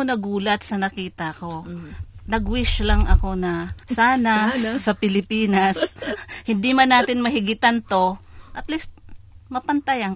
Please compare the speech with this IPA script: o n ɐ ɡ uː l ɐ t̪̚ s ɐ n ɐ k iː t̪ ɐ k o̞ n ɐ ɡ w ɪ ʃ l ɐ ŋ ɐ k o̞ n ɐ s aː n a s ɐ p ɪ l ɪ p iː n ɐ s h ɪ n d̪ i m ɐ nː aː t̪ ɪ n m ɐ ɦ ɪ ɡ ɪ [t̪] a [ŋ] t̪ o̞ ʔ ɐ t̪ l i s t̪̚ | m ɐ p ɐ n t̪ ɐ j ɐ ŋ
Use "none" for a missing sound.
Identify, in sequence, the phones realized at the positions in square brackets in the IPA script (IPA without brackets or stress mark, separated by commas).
t̪, n